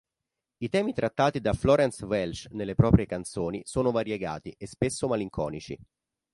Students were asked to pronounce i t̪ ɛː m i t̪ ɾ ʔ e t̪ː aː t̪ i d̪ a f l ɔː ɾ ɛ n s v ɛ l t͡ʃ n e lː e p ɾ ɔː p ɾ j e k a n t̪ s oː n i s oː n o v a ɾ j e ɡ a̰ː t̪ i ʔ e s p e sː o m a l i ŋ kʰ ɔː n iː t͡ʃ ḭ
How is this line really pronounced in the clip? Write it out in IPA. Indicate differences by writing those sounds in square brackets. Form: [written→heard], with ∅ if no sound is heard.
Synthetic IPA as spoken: i t̪ ɛː m i t̪ ɾ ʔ [e→a] t̪ː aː t̪ i d̪ a f l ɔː ɾ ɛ n s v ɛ l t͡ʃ n e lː e p ɾ ɔː p ɾ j e k a n t̪ s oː n i s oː n o v a ɾ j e ɡ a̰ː t̪ i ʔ e s p e sː o m a l i ŋ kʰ ɔː n [iː→i] t͡ʃ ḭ